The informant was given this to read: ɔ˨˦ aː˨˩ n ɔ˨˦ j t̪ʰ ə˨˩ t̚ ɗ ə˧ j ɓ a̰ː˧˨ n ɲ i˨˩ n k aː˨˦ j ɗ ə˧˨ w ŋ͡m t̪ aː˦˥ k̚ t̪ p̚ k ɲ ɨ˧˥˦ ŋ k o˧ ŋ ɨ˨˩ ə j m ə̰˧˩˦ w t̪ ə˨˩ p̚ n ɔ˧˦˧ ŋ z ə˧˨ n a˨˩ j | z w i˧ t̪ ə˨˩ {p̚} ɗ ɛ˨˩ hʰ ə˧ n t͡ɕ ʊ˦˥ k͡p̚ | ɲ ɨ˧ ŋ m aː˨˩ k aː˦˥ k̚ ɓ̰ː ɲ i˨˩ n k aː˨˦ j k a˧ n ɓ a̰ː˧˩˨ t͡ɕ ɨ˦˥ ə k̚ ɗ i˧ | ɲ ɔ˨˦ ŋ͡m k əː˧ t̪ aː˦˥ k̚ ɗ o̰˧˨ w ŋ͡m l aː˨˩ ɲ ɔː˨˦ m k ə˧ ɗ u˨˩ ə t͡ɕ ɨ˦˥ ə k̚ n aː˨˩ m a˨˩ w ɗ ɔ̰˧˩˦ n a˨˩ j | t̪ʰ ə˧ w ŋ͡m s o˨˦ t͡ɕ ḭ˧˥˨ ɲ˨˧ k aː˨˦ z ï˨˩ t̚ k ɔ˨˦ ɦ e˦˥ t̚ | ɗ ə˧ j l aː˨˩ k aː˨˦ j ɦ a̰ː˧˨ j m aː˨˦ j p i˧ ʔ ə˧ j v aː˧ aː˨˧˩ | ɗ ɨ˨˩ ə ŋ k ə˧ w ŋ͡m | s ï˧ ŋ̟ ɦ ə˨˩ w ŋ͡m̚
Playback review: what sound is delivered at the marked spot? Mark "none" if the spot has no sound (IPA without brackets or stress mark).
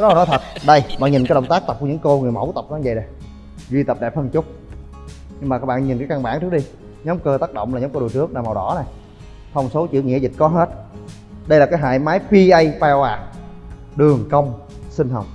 p̚